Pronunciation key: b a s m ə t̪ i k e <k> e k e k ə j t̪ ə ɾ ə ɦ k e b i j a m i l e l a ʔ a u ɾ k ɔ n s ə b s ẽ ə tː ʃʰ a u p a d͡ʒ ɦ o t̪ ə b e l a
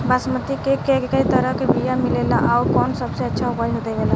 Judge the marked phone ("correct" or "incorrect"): correct